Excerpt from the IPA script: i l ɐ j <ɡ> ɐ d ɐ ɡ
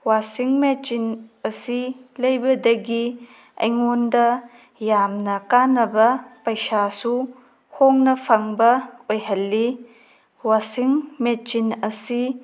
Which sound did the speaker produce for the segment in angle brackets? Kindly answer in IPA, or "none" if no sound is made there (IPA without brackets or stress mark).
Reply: b